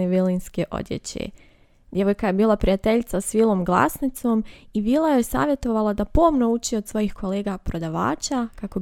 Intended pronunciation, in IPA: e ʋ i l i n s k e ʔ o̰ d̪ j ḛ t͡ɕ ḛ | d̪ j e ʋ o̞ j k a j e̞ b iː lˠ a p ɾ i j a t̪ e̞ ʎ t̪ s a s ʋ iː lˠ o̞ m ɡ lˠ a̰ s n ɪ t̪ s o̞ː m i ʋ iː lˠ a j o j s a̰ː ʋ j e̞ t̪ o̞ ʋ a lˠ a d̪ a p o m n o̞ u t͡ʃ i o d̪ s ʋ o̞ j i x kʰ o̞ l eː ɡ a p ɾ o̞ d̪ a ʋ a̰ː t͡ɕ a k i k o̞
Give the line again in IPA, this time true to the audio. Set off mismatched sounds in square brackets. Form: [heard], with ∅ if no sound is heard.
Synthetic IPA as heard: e ʋ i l i n s k e ʔ o̰ d̪ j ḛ t͡ɕ ḛ | d̪ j e ʋ o̞ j k a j e̞ b iː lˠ a p ɾ i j a t̪ e̞ ʎ t̪ s a s ʋ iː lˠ o̞ m ɡ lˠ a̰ s n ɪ t̪ s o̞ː m i ʋ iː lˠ a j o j s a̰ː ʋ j e̞ t̪ o̞ ʋ a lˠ a d̪ a p o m n o̞ u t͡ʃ i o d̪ s ʋ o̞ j i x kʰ o̞ l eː ɡ a p ɾ o̞ d̪ a ʋ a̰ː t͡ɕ a k [a] k o̞